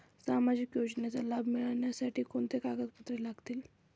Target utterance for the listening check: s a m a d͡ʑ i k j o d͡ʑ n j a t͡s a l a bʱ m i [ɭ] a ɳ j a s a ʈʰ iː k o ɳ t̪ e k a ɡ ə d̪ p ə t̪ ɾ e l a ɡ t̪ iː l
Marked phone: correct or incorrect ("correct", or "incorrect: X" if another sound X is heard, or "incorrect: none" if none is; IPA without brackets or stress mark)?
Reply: correct